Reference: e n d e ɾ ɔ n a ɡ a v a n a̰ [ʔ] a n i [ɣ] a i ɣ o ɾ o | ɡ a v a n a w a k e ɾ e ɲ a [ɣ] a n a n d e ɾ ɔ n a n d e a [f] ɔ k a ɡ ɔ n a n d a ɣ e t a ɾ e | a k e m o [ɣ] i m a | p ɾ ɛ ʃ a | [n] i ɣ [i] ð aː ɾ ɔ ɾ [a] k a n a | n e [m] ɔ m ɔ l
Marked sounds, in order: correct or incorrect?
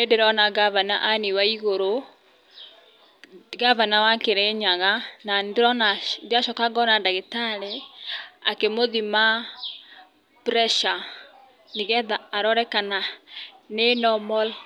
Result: correct, incorrect: w, correct, incorrect: ʃ, incorrect: ð, correct, incorrect: ɛ, incorrect: ɛ, incorrect: n

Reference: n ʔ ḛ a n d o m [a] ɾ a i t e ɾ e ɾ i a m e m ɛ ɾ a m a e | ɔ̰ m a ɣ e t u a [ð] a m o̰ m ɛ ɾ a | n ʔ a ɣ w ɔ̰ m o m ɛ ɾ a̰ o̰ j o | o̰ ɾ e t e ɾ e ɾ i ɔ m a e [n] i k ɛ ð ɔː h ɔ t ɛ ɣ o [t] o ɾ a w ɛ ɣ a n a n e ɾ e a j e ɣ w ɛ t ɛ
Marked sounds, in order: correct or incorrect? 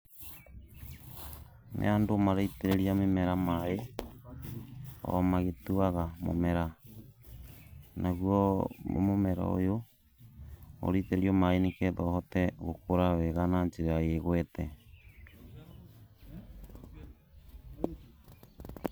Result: correct, incorrect: ɣ, correct, incorrect: k

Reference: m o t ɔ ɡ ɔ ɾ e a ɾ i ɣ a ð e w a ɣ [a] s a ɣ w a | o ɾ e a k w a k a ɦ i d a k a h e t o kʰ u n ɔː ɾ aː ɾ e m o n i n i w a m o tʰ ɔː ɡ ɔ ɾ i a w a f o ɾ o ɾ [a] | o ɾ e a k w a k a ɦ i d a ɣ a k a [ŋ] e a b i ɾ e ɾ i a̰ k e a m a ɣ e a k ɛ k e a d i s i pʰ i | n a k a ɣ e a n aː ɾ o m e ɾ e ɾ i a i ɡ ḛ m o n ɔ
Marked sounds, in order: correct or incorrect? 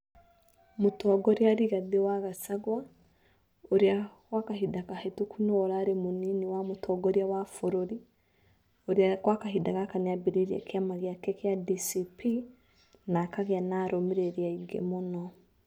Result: correct, incorrect: i, incorrect: n

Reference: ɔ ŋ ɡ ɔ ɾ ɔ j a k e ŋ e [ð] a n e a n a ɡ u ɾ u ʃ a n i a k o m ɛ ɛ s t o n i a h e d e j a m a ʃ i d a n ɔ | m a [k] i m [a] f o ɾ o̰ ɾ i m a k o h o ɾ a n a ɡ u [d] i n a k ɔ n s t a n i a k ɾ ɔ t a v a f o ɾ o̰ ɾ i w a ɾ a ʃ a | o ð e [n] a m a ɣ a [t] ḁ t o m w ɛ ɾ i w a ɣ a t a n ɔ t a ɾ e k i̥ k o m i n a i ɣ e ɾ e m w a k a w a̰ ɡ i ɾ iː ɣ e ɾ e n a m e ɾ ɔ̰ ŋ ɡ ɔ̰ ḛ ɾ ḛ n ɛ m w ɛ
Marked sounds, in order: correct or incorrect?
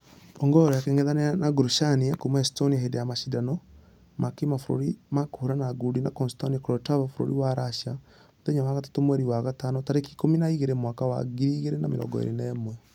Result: correct, correct, correct, correct, incorrect: ɲ, correct

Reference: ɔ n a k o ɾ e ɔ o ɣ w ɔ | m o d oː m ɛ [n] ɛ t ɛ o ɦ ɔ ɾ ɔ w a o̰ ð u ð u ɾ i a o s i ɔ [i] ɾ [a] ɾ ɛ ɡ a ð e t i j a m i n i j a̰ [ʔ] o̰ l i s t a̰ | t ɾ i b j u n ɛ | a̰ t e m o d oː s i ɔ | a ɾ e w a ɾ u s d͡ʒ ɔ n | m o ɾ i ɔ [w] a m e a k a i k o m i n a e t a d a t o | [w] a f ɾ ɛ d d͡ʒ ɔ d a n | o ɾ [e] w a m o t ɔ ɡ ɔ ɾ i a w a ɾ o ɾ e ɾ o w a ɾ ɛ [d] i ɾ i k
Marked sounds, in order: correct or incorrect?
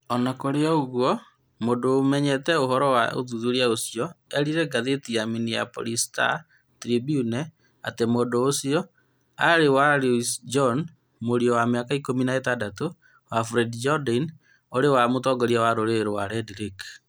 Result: incorrect: ɲ, incorrect: ɛ, incorrect: i, incorrect: p, correct, correct, correct, correct

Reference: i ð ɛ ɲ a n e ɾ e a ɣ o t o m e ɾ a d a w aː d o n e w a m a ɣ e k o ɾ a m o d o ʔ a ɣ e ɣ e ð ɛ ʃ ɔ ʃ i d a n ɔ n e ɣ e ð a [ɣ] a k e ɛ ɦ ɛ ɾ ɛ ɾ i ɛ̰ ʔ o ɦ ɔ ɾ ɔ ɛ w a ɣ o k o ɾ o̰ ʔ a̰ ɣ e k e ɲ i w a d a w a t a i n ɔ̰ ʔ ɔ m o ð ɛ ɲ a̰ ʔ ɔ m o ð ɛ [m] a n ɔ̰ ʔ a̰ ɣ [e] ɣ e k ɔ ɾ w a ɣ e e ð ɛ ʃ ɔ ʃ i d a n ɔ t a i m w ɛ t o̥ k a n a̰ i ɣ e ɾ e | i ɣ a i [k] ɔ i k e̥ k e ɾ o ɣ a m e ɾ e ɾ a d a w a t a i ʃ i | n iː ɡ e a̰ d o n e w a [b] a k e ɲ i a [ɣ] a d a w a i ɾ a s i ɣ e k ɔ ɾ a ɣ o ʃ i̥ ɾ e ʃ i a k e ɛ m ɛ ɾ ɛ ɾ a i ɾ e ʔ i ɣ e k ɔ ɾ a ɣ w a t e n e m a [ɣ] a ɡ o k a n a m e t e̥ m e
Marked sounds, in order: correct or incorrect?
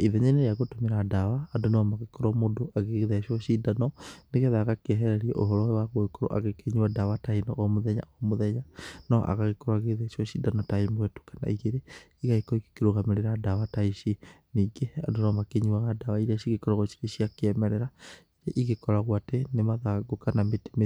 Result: correct, incorrect: ɲ, incorrect: a, correct, incorrect: m, correct, incorrect: ð

